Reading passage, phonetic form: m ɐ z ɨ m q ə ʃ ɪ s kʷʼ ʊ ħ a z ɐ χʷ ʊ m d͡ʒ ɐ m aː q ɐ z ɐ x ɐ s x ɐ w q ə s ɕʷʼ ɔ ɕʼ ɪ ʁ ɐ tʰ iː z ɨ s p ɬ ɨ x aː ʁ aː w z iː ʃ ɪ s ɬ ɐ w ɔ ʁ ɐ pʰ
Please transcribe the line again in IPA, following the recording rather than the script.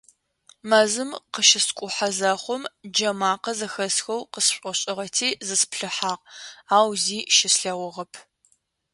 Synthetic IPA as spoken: m ɐ z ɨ m q ə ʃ ɪ s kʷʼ ʊ ħ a z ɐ χʷ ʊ m d͡ʒ ɐ m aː q ɐ z ɐ x ɐ s x ɐ w q ə s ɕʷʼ ɔ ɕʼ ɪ ʁ ɐ tʰ iː z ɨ s p ɬ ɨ ħ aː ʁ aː w z iː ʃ ɪ s ɬ ɐ w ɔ ʁ ɐ pʰ

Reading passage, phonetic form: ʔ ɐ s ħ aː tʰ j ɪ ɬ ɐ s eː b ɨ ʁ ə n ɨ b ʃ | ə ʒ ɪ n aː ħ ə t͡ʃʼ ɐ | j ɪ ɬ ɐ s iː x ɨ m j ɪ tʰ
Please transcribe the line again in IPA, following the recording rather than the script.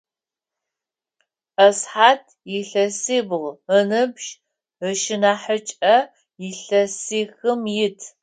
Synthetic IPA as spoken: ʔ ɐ s ħ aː tʰ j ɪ ɬ ɐ s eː b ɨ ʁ ə n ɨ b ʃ | ə ʃ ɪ n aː ħ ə t͡ʃʼ ɐ | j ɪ ɬ ɐ s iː x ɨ m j ɪ tʰ

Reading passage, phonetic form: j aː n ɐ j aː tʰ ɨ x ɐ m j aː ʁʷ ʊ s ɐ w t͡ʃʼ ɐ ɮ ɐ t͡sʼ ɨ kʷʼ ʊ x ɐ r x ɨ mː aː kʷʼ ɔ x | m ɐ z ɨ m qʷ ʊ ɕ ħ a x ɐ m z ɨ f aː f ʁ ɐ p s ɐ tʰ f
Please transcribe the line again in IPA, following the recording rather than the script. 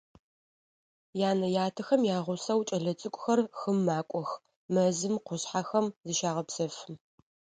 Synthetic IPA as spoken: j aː n ɐ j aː tʰ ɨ x ɐ m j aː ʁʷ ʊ s ɐ w t͡ʃʼ ɐ ɮ ɐ t͡sʼ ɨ kʷʼ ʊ x ɐ r x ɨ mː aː kʷʼ ɔ x | m ɐ z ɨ m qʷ ʊ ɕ ħ a x ɐ m z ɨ ʃ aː ʁ ɐ p s ɐ f

